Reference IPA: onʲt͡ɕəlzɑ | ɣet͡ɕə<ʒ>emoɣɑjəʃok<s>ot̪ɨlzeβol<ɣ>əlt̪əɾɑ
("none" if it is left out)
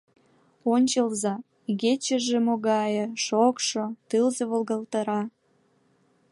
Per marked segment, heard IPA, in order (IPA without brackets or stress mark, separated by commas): ʒ, ʃ, ɣ